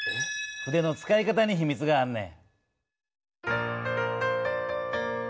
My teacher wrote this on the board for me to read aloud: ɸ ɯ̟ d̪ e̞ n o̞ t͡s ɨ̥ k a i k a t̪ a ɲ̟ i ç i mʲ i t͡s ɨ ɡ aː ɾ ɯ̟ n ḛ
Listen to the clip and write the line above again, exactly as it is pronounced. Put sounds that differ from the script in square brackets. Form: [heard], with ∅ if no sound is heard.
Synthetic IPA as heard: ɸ ɯ̟ d̪ e̞ n o̞ t͡s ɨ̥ k a i k a t̪ a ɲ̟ i ç i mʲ i t͡s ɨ ɡ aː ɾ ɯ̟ n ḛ

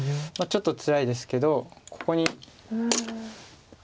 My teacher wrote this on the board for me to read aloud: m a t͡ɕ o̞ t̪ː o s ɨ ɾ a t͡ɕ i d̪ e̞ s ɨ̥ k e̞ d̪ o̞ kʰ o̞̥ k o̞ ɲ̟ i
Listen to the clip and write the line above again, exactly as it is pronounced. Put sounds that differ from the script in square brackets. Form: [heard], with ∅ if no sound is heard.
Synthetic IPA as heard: m a t͡ɕ o̞ t̪ː o [t͡s] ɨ ɾ a [∅] i d̪ e̞ s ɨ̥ k e̞ d̪ o̞ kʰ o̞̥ k o̞ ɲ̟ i

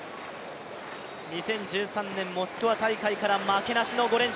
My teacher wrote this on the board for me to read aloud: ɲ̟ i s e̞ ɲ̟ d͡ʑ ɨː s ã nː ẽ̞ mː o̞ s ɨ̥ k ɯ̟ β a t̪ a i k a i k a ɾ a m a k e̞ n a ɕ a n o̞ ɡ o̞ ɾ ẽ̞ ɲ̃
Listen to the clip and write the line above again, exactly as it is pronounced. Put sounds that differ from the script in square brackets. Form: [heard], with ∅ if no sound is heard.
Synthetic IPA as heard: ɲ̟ i s [ẽ̞] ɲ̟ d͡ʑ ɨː s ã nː ẽ̞ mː o̞ s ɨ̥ k ɯ̟ β a t̪ a i k a i k a ɾ a m a k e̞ n a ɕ [i] n o̞ ɡ o̞ ɾ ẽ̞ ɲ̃

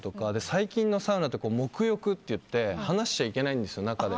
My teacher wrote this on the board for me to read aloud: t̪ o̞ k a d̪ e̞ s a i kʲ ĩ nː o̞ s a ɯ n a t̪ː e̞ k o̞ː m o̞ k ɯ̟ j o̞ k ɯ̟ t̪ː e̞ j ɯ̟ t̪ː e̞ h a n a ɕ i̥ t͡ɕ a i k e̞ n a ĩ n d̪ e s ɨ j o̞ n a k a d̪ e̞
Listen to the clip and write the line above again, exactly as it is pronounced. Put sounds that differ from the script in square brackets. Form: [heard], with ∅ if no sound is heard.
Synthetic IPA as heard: t̪ o̞ k a d̪ e̞ s a i kʲ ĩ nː o̞ s a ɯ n a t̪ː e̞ k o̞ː m o̞ k ɯ̟ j o̞ k ɯ̟ t̪ː e̞ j ɯ̟ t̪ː e̞ h a n a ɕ i̥ t͡ɕ a i k e̞ n a ĩ n d̪ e s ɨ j o̞ n a k a d̪ e̞

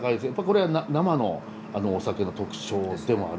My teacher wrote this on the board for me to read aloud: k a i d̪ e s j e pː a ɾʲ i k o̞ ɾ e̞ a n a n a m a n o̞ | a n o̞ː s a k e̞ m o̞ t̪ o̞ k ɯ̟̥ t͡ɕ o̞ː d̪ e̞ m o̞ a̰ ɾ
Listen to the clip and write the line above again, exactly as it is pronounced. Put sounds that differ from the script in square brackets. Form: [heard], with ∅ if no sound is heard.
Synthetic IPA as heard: k a i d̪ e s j [a] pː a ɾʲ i k o̞ ɾ e̞ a n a n a m a n o̞ | a n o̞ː s a k e̞ [n] o̞ t̪ o̞ k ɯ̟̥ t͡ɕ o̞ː d̪ e̞ m o̞ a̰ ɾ

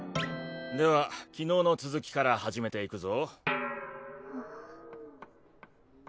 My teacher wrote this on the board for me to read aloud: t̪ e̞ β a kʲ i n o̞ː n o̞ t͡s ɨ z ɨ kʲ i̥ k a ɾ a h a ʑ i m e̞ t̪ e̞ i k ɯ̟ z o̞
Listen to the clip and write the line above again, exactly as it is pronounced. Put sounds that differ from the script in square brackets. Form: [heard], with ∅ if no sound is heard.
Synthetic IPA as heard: [d̪] e̞ β a kʲ i n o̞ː n o̞ t͡s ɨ z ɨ kʲ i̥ k a ɾ a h a ʑ i m e̞ t̪ e̞ i k ɯ̟ z o̞

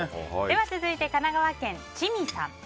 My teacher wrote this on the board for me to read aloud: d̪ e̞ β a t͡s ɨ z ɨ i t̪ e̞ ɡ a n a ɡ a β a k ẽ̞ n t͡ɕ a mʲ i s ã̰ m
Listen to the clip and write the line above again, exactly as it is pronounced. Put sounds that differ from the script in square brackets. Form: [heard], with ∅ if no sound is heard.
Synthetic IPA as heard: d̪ e̞ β a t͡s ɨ z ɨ i t̪ e̞ [k] a n a ɡ a β a k ẽ̞ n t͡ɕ [i] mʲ i s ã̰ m

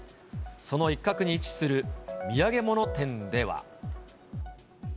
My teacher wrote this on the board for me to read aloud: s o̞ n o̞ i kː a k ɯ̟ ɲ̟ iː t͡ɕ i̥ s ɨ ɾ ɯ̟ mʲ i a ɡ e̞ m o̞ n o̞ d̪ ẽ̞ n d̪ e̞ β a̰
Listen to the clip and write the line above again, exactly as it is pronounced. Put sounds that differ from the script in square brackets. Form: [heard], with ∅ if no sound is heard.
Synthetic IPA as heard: s o̞ n o̞ i kː a k ɯ̟ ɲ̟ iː t͡ɕ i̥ s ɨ ɾ ɯ̟ mʲ i a ɡ e̞ m o̞ n o̞ [t̪] ẽ̞ n d̪ e̞ β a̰

